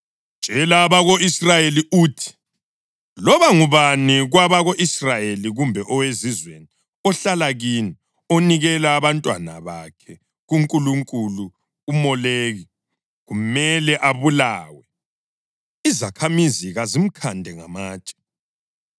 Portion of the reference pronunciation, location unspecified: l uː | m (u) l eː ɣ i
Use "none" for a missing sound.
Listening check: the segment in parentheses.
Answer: ɔ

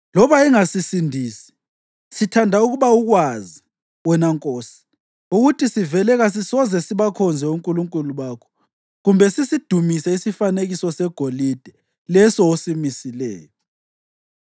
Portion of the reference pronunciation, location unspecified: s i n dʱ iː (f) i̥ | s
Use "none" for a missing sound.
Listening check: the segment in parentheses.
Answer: s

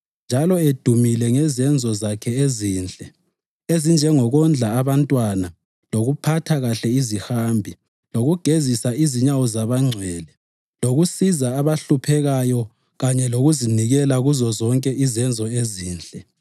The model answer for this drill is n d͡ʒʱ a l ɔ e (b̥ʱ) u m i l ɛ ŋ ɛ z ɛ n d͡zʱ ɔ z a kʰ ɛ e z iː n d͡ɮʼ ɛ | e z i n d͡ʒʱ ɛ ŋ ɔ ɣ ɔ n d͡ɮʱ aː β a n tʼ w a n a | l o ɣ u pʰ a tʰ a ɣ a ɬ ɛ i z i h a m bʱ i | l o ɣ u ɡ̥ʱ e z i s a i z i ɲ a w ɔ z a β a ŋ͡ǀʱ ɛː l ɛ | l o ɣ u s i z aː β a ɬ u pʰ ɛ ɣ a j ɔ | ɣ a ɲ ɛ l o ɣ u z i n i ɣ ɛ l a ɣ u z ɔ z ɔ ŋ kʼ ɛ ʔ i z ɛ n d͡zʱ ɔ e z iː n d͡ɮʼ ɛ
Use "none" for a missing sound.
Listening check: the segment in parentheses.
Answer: d̥ʱ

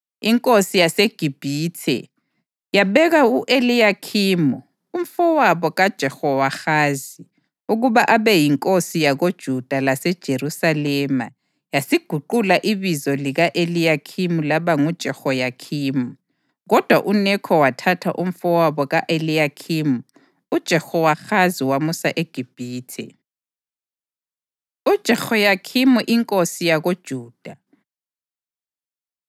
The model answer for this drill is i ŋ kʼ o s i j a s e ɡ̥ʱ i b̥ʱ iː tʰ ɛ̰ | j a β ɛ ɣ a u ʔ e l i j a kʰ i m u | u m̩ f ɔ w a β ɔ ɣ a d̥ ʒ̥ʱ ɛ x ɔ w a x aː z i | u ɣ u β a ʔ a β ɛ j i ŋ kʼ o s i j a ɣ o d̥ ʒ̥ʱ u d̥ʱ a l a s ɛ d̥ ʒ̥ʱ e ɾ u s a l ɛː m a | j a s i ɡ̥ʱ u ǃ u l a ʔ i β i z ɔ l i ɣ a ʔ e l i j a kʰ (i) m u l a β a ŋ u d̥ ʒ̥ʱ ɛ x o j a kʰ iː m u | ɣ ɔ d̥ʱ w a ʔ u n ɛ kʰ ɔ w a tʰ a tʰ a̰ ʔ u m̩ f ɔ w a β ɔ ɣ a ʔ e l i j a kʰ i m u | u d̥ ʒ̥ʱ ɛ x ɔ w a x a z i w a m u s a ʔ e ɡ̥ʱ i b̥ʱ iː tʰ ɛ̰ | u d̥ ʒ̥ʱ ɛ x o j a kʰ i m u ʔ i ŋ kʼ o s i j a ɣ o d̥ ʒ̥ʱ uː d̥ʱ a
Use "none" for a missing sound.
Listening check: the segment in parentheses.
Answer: i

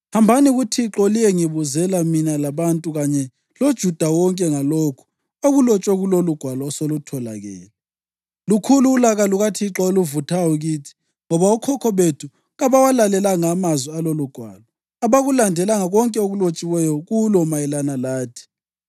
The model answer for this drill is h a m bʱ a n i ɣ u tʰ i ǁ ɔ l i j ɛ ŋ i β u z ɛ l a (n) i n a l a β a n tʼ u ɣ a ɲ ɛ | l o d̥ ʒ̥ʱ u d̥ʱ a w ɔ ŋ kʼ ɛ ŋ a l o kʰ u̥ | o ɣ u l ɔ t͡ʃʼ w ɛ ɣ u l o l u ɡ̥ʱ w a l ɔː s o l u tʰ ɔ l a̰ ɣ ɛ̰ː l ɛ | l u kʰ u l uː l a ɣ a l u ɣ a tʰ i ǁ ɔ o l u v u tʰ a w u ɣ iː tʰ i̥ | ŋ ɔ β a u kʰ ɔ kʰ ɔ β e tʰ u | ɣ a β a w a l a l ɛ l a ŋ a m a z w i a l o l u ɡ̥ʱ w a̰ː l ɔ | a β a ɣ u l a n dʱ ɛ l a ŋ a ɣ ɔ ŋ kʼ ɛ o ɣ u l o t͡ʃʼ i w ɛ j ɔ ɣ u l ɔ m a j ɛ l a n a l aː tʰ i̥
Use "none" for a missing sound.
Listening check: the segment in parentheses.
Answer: m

